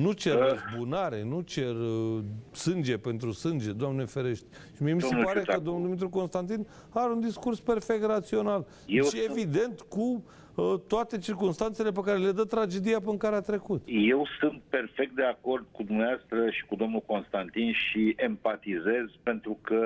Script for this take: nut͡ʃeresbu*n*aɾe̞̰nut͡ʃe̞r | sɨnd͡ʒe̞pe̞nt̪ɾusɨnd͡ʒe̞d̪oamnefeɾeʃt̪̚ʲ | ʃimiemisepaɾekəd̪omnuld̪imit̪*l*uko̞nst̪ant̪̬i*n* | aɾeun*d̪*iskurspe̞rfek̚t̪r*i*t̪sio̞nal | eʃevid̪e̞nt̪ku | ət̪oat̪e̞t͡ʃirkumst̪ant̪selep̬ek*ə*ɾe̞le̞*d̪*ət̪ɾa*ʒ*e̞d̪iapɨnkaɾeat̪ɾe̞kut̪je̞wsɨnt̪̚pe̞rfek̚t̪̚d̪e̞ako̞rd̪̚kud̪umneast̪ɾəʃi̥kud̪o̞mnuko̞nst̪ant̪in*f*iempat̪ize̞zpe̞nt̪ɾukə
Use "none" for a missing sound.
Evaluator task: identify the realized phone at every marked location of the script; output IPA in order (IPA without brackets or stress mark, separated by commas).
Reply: n, ɾ, n, d̪, a, a, d̪, d͡ʒ, ʃ